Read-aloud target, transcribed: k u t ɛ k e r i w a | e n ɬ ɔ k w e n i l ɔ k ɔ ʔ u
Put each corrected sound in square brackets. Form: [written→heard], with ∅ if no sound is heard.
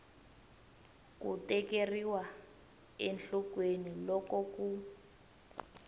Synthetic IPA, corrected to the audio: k u t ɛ k e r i w a | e n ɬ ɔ k w e n i l ɔ k ɔ [ʔ→k] u